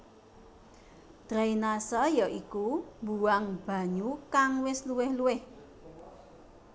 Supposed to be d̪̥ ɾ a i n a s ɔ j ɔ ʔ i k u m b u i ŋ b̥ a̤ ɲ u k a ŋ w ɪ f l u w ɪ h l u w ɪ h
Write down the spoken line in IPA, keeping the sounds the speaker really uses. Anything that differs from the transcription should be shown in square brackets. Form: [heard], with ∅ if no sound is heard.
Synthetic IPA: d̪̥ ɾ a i n a s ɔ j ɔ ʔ i k u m b u [a] ŋ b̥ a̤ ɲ u k a ŋ w ɪ [s] l u w ɪ h l u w ɪ h